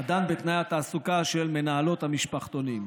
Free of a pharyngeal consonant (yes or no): yes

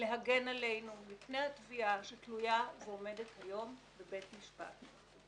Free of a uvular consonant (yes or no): yes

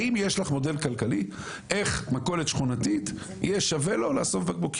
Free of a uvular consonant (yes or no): no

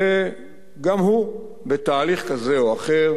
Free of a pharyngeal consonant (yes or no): yes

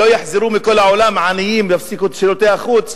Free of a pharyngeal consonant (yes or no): no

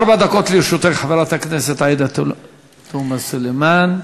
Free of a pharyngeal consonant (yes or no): no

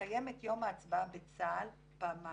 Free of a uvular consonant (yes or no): yes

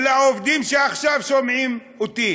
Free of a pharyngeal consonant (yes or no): no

